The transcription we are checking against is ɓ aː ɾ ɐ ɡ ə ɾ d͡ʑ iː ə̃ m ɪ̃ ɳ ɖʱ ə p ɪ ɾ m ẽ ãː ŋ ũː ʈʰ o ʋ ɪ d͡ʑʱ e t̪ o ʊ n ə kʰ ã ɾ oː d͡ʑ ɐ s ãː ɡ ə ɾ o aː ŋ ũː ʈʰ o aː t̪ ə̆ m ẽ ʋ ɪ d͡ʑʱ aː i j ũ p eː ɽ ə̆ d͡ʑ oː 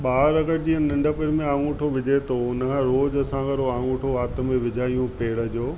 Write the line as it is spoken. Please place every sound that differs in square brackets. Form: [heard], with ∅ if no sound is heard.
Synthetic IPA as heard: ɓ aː ɾ ɐ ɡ ə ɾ d͡ʑ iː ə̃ [n] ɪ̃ ɳ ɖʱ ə p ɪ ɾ m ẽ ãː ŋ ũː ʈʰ o ʋ ɪ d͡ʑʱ e t̪ o ʊ n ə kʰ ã ɾ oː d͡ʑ ɐ s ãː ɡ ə ɾ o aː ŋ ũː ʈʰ o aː t̪ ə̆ m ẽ ʋ ɪ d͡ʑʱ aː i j ũ p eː ɽ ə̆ d͡ʑ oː